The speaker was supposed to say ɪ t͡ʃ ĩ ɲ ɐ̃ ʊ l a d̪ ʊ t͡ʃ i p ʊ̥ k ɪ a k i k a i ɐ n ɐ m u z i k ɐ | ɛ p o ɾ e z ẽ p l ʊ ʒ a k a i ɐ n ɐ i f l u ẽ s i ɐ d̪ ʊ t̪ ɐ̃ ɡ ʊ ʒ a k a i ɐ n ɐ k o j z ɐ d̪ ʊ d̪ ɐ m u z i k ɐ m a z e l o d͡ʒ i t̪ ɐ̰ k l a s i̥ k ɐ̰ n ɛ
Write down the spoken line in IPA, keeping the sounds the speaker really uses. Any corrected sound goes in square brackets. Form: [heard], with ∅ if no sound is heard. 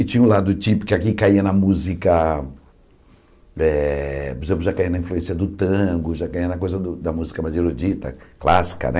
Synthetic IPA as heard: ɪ t͡ʃ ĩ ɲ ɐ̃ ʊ l a d̪ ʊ t͡ʃ i p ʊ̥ k ɪ a k i k a i ɐ n ɐ m u z i k ɐ | ɛ p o ɾ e z ẽ p l ʊ ʒ a k a i ɐ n ɐ [ĩ] f l u ẽ s i ɐ d̪ ʊ t̪ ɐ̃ ɡ ʊ ʒ a k a i ɐ n ɐ k o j z ɐ d̪ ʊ d̪ ɐ m u z i k ɐ m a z e [ɾ] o d͡ʒ i t̪ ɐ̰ k l a s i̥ k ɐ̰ n ɛ